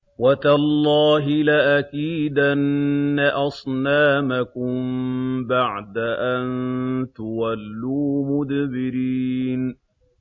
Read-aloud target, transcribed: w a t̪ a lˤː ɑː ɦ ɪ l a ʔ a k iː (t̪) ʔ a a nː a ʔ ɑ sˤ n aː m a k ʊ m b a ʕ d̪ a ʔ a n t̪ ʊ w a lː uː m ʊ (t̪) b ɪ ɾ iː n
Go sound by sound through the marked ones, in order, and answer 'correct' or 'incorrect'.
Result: incorrect: d̪, incorrect: d̪

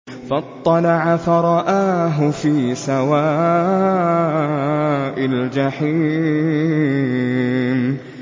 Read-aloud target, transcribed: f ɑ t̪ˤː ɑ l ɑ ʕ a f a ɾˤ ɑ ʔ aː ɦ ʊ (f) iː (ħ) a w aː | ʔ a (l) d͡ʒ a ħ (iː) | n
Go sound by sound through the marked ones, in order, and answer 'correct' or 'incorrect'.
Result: correct, incorrect: s, correct, correct

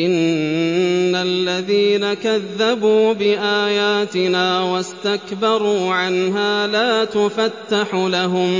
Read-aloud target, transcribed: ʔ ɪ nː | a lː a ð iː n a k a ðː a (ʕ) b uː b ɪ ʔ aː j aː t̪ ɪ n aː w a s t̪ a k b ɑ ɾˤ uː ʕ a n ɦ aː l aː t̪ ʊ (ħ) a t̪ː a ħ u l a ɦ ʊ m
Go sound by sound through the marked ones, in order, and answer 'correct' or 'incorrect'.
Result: incorrect: none, incorrect: f

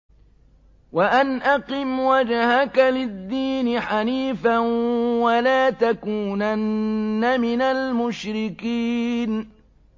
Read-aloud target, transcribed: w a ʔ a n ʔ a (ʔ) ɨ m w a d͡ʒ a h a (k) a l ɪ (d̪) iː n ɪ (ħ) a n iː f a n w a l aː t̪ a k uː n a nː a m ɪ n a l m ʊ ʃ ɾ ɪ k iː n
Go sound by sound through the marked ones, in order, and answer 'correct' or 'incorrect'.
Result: incorrect: q, correct, incorrect: d̪ː, correct

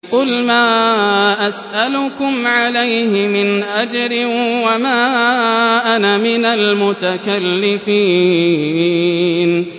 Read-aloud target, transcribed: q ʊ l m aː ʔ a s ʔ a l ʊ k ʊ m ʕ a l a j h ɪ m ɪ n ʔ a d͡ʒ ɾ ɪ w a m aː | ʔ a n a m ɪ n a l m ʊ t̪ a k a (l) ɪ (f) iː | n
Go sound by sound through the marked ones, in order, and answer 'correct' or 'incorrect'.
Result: incorrect: lː, correct

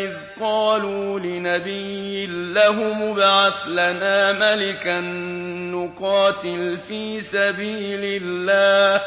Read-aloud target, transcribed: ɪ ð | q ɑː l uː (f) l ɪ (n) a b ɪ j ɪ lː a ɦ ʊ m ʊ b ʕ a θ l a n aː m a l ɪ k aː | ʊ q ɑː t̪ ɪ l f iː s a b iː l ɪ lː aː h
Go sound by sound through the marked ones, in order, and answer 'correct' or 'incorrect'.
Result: incorrect: none, correct

